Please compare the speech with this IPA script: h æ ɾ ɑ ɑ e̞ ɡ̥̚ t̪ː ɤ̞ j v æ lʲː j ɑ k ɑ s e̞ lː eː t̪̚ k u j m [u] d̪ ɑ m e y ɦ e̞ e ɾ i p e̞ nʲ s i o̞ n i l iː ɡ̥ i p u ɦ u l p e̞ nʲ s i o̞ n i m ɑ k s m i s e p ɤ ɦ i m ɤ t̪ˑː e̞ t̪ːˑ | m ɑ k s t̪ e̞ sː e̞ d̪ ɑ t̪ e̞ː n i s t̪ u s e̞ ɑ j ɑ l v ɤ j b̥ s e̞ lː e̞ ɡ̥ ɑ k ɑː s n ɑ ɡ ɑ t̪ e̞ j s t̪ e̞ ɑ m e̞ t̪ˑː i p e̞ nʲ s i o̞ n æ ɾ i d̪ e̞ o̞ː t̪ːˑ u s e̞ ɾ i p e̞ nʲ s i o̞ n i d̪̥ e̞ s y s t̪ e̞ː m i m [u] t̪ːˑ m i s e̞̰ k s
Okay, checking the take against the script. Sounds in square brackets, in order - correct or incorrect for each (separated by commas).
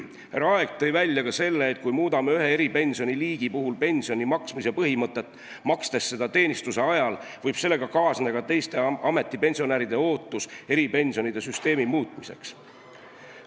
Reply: incorrect, incorrect